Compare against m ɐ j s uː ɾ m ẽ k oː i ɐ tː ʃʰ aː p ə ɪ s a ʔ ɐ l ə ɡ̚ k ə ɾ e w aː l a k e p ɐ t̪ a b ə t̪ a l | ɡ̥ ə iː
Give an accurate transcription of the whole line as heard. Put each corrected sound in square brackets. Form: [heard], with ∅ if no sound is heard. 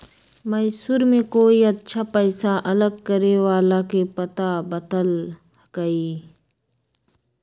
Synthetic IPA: m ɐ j s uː ɾ m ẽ k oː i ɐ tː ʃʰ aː p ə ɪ s a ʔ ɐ l ə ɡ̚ k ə ɾ e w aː l a k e p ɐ t̪ a b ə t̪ [ə] l | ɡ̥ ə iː